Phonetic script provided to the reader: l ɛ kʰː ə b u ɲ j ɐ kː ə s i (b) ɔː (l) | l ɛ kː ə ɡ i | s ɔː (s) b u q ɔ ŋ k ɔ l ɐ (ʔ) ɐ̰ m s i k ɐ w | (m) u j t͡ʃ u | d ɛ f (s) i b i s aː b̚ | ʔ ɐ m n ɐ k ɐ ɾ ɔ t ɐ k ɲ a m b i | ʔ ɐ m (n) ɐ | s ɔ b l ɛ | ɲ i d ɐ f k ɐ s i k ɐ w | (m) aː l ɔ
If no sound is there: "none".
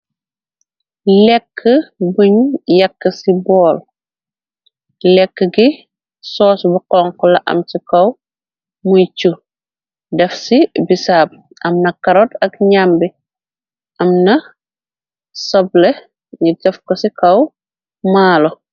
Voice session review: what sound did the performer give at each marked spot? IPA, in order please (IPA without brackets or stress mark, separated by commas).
b, l, s, ʔ, m, s, n, m